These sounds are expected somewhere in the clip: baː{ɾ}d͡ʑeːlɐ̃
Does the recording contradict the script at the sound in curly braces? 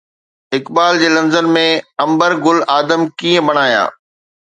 yes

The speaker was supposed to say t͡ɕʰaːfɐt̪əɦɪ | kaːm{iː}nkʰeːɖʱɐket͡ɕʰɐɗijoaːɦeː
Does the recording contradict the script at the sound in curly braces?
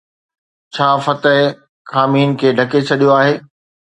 no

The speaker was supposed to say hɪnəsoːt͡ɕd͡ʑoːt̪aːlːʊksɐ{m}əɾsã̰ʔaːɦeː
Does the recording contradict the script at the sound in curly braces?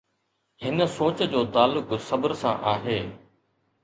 yes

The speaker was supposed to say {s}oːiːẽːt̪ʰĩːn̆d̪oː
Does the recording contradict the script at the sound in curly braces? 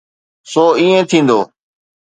no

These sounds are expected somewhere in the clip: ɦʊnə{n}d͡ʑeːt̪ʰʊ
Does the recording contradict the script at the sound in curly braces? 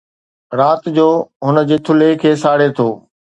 yes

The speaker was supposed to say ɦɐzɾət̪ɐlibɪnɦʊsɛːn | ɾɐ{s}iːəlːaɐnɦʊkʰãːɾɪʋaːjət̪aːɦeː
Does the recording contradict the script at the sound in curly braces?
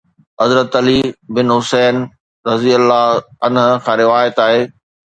yes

